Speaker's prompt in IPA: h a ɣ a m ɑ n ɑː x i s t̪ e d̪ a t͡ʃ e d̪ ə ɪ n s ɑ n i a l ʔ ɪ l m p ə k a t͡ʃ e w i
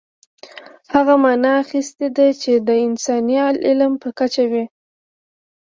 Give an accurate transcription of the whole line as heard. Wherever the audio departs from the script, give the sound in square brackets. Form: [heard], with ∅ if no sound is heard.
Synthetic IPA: h a ɣ a m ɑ n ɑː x i s t̪ e d̪ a t͡ʃ e d̪ ə ɪ n s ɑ n i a l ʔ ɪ l m p ə k a t͡ʃ [a] w i

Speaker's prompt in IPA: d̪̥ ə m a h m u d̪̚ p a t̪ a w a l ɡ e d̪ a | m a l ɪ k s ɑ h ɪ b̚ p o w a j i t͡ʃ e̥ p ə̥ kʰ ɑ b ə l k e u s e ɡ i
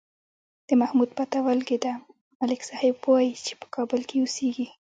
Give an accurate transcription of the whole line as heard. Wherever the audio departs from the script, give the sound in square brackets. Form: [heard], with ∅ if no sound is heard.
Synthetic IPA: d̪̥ ə m a h m u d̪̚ p a t̪ a w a l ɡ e d̪ a | m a l ɪ k s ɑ h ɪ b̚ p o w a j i t͡ʃ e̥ p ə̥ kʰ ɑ b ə l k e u s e ɡ i

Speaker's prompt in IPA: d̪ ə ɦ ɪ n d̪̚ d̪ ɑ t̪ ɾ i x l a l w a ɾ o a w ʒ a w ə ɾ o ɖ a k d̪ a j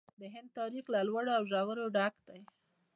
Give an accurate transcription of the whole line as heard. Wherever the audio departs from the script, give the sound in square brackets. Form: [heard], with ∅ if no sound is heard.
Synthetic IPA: d̪ ə ɦ ɪ n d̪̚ [t̪] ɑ [∅] ɾ i x l a l w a [ɽ] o a w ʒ a w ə ɾ o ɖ a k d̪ a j

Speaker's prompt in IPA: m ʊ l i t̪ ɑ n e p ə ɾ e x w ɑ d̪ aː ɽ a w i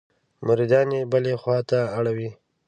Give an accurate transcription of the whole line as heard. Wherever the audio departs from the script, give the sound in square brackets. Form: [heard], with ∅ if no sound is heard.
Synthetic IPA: m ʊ [ɾ] i [d̪] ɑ n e [b] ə [l] e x w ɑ [t̪] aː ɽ a w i

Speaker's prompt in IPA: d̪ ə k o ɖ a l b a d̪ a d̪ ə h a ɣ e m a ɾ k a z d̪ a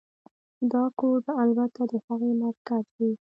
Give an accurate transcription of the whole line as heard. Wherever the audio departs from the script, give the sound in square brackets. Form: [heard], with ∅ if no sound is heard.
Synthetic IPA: d̪ [ɑ] k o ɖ a l b a [t̪] a d̪ ə h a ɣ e m a ɾ k a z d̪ [i]

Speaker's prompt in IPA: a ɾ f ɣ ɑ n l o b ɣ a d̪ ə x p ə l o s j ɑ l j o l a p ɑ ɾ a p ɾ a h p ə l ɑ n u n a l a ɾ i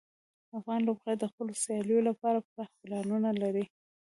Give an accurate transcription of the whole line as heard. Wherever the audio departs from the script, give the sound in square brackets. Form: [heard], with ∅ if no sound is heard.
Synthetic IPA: a [∅] f ɣ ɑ n l o b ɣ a d̪ ə x p ə l o s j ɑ l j o l a p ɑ ɾ a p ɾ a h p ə l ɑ n u n a l a ɾ i

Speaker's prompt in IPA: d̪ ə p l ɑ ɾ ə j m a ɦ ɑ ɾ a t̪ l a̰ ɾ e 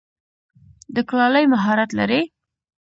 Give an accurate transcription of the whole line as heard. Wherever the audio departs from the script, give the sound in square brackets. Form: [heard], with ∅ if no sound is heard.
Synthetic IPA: d̪ ə [k] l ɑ [l] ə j m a ɦ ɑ ɾ a t̪ l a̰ ɾ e

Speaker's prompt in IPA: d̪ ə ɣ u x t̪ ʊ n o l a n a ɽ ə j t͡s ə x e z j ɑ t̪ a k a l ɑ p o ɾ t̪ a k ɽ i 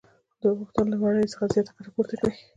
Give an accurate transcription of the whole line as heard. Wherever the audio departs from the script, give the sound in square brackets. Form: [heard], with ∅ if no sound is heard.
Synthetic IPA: d̪ ə ɣ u x t̪ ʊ n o l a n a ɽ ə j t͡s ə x [a] z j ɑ t̪ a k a [ɾ] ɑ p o ɾ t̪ a k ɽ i

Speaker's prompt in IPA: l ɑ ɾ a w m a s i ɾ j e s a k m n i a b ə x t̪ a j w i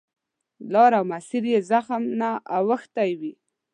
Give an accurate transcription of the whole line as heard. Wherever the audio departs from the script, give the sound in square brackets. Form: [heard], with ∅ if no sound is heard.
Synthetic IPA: l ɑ ɾ a w m a s i ɾ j e [z] a [x] m n [a] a [w] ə x t̪ a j w i

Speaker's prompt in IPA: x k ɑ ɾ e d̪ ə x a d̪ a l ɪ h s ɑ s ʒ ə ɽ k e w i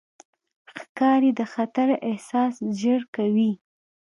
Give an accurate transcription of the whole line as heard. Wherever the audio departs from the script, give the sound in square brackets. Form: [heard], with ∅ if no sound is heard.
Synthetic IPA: x k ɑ ɾ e d̪ ə x a [t̪] a [ɾ] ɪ h s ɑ s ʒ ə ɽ k [a] w i

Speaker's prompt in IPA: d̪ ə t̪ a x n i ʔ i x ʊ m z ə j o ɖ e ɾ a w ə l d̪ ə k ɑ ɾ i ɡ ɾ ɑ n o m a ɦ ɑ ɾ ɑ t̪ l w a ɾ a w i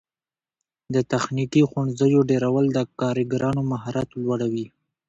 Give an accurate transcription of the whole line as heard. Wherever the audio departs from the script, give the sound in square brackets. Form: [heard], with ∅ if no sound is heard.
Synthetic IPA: d̪ ə t̪ a x n i [k] i x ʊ [ɳ] z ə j o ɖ e ɾ a w ə l d̪ ə k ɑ ɾ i ɡ ɾ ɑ n o m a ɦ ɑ ɾ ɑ t̪ l w a [ɽ] a w i

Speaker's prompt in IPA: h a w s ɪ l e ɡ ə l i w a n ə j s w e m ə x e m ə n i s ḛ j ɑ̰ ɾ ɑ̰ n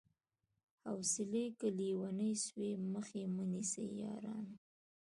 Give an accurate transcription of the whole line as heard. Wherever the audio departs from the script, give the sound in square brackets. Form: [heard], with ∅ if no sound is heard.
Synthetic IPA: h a w s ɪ l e [k] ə l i w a n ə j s w e m ə x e m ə n i s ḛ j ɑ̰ ɾ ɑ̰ n

